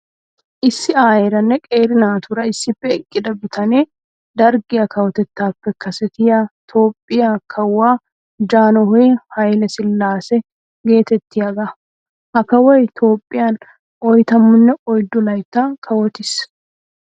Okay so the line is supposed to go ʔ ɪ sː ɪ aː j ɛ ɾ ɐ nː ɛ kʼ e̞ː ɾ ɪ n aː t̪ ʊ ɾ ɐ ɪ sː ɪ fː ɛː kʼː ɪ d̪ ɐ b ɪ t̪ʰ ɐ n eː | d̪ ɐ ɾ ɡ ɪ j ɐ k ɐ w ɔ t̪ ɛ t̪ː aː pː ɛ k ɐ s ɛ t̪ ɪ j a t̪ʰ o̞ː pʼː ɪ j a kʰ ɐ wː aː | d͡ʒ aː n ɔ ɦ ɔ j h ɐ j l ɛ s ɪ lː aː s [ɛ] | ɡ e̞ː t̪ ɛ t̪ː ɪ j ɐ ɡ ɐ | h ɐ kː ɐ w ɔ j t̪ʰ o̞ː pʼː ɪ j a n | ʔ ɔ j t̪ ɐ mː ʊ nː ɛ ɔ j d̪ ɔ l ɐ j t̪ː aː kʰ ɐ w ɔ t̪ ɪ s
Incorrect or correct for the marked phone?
correct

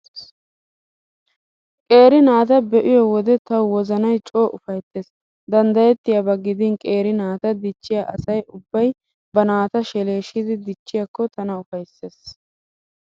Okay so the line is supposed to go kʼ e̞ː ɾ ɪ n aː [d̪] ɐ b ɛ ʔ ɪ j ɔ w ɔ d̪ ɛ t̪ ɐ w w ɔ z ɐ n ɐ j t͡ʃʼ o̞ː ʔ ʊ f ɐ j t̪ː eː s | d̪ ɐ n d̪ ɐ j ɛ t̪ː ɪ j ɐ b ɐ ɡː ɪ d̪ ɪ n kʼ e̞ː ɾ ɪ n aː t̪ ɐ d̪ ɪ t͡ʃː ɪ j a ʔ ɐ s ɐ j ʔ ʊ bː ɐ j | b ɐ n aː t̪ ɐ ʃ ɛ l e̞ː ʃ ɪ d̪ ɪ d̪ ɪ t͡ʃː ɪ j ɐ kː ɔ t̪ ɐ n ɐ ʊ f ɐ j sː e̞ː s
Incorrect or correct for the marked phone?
incorrect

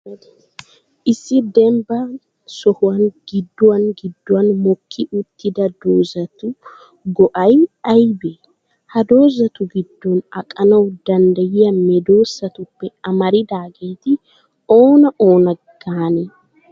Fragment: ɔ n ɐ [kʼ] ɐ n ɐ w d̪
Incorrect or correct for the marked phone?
correct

